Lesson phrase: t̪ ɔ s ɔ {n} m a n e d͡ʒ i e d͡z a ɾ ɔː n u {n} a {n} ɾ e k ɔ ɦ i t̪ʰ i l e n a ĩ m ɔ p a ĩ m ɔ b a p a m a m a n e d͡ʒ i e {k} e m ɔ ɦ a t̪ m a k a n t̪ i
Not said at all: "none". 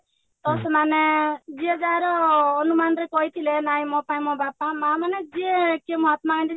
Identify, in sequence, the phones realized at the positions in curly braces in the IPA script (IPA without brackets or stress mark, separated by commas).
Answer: none, m, n, k